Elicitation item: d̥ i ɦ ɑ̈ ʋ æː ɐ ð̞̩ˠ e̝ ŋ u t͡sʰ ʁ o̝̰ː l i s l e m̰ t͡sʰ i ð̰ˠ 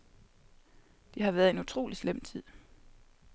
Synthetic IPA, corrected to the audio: d̥ i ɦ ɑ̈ ʋ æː ɐ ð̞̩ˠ e̝ n u t͡sʰ ʁ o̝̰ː l i s l e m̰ t͡sʰ i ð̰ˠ